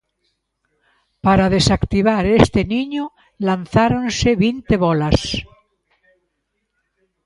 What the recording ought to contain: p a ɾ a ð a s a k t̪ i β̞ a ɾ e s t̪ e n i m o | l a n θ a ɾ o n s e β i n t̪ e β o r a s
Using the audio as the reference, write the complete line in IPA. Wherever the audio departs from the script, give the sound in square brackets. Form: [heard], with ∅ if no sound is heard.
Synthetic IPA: p a ɾ a ð [e] s a k t̪ i β̞ a ɾ e s t̪ e n i [ɲ] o | l a n θ a ɾ o n s e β i n t̪ e β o [l] a s